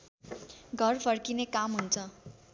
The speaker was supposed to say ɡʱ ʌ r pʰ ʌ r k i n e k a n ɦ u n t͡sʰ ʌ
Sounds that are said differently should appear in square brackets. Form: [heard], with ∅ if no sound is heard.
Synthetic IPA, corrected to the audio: ɡʱ ʌ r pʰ ʌ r k i n e k a [m] ɦ u n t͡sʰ ʌ